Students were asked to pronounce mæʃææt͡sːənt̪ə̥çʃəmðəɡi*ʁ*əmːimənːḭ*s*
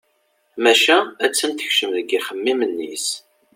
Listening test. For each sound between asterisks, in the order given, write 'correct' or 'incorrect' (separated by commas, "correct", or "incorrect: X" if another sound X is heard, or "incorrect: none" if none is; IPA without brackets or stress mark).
incorrect: χ, correct